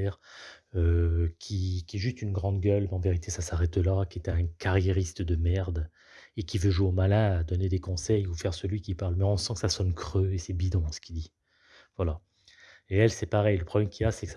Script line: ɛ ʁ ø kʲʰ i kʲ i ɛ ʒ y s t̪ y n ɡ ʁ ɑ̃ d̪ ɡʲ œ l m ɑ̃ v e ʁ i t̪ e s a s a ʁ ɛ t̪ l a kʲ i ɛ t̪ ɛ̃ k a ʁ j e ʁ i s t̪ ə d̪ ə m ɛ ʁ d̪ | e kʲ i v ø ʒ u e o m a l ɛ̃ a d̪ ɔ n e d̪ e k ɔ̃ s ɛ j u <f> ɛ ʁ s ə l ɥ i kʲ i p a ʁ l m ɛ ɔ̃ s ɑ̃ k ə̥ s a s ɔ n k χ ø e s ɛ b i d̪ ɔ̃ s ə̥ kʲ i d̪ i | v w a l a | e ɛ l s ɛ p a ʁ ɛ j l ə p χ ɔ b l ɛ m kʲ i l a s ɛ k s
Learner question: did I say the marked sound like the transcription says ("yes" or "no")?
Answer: yes